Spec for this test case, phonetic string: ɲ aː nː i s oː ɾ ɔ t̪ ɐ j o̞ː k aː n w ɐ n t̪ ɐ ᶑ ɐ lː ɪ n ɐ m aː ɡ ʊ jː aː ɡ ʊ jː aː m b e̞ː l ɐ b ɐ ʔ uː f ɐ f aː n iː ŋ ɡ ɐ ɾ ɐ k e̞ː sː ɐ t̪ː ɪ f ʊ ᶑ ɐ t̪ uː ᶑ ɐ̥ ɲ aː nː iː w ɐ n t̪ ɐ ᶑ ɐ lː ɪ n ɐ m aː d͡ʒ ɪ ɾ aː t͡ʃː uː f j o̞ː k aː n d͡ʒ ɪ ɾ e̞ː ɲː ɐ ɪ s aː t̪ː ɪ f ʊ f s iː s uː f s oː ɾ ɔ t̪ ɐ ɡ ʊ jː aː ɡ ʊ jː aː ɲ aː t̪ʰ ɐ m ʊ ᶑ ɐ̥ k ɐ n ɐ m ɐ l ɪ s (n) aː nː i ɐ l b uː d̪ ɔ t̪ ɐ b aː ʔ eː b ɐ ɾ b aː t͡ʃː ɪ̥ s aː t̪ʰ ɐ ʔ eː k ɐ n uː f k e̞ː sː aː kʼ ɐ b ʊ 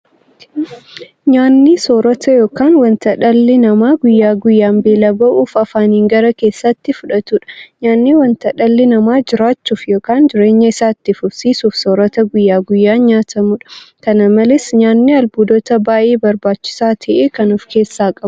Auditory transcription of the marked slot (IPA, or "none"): ɲ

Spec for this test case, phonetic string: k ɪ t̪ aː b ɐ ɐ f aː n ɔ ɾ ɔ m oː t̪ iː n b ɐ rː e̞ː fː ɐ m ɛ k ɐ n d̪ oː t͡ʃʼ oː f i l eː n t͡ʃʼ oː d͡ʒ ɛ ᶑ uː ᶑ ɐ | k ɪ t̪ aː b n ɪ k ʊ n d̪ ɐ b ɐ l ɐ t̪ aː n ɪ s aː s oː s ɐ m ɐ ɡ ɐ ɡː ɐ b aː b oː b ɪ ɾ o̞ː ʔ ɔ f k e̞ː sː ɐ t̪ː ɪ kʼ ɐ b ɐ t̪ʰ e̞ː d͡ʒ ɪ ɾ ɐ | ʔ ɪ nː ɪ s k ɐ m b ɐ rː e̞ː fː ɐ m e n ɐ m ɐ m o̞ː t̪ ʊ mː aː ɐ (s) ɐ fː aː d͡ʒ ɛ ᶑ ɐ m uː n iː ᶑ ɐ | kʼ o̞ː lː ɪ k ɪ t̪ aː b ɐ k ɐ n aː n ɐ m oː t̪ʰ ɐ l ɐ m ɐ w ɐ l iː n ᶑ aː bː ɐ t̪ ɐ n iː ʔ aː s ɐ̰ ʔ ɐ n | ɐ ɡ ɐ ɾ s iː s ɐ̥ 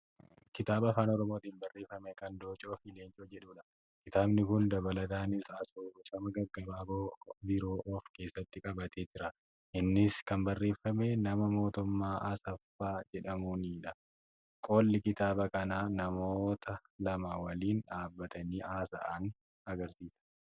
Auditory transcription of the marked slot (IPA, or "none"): s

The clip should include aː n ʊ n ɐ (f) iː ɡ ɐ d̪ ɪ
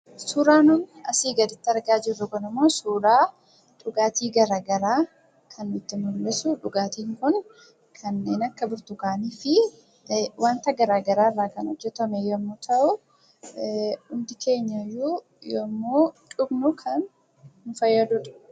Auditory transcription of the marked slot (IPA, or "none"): s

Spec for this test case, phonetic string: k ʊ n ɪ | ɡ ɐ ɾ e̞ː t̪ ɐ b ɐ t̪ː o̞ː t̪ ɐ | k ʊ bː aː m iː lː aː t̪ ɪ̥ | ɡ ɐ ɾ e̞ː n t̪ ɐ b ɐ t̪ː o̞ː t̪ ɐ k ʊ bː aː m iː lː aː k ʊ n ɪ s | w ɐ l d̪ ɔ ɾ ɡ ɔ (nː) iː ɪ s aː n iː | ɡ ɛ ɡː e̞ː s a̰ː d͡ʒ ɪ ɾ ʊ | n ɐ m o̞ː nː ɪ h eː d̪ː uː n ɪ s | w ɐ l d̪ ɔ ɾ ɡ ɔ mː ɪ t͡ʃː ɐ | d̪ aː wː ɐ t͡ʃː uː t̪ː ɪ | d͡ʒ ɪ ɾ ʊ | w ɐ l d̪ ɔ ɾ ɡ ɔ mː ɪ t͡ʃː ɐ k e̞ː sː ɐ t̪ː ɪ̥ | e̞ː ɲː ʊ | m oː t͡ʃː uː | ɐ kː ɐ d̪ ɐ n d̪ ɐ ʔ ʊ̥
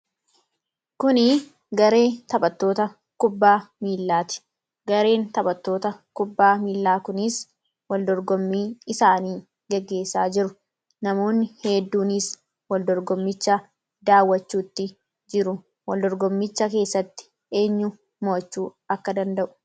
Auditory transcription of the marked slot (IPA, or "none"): mː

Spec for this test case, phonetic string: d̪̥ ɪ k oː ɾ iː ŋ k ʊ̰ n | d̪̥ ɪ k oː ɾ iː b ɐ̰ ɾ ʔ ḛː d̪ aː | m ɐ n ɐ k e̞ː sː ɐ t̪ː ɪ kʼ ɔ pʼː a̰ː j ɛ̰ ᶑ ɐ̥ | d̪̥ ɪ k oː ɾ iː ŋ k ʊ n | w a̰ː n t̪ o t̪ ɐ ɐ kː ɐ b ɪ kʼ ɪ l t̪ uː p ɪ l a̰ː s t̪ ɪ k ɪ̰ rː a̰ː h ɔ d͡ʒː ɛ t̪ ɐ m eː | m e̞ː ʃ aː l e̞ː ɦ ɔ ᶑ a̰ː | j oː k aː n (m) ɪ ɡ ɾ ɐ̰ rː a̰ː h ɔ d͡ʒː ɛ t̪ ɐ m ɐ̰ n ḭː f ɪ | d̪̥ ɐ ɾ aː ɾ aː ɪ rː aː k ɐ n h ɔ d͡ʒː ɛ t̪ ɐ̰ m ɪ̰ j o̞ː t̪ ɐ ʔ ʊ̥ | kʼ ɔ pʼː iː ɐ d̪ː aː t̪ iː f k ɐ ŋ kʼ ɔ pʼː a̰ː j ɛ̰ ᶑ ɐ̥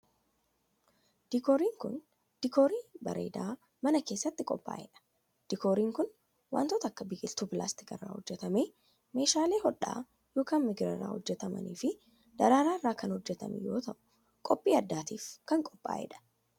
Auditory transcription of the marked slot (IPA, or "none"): m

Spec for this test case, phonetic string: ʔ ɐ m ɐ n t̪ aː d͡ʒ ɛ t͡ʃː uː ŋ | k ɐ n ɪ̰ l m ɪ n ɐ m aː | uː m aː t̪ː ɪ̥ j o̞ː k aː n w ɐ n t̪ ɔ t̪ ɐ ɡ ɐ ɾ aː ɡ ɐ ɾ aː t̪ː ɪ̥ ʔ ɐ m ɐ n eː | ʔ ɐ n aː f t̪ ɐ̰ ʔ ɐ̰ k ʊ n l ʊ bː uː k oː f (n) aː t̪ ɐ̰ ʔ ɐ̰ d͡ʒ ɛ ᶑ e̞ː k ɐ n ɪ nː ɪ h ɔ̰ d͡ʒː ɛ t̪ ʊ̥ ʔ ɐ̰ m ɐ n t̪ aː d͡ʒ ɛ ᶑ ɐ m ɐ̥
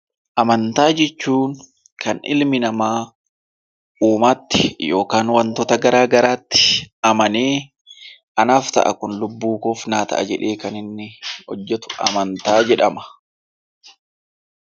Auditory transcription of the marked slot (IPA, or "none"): n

